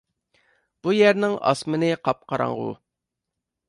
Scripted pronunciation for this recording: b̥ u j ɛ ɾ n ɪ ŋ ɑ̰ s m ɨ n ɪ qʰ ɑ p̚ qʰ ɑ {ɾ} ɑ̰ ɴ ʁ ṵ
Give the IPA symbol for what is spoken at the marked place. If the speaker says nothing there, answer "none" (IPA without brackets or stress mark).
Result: ɾ